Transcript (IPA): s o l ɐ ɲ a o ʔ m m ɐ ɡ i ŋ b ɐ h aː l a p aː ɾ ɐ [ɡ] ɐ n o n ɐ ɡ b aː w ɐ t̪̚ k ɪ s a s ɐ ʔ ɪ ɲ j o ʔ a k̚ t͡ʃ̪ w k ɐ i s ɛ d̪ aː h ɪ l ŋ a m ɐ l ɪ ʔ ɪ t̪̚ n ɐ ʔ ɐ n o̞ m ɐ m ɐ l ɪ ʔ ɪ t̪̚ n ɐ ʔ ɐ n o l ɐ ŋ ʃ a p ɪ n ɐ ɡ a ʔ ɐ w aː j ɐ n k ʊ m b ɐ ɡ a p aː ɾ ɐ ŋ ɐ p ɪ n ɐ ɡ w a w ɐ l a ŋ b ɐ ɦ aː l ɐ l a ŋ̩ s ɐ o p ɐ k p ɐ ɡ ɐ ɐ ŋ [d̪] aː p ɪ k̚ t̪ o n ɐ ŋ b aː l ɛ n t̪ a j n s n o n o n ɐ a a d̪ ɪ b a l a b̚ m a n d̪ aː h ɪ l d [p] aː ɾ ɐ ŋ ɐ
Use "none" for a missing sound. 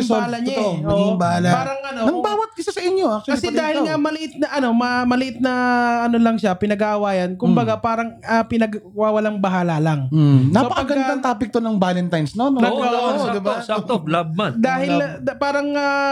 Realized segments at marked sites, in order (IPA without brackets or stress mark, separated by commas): ŋ, t̪, p